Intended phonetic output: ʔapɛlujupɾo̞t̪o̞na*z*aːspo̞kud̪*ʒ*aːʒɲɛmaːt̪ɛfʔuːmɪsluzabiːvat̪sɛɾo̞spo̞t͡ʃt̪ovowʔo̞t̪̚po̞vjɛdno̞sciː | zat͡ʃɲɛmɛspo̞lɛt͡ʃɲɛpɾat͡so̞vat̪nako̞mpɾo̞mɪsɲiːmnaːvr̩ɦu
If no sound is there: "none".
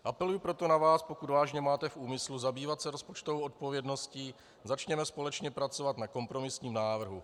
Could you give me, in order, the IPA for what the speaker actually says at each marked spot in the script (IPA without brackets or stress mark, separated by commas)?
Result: v, v